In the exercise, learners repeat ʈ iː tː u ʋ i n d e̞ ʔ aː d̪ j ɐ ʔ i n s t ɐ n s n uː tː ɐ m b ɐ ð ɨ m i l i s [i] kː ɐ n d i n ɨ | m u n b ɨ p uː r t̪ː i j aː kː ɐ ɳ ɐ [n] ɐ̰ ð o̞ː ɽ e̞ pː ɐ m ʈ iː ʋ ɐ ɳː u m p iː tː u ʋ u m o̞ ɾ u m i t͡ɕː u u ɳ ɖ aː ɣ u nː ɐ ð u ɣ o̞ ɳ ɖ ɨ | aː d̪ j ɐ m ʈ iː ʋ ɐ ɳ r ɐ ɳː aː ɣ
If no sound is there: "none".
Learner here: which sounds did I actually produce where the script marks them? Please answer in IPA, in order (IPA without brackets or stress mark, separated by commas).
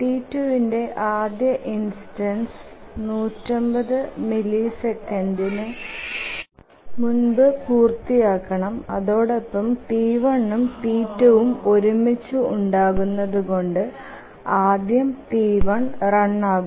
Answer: e, m